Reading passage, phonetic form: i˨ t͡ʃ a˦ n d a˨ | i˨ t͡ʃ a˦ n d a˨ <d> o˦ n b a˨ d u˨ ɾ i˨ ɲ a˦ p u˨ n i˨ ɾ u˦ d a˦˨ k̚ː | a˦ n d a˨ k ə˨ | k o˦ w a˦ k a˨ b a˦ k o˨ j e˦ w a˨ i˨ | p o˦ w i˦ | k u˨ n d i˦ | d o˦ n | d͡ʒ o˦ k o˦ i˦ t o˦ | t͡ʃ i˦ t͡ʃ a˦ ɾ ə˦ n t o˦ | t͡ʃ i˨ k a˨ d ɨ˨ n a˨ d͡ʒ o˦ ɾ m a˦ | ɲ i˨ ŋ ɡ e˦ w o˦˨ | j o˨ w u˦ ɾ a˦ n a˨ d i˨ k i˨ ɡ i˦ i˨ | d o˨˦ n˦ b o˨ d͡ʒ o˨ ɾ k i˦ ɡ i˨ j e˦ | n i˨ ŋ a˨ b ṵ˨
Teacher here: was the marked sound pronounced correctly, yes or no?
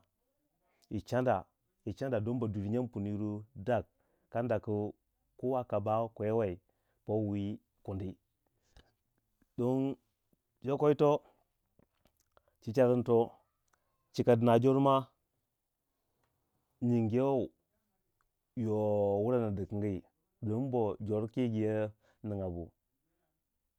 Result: yes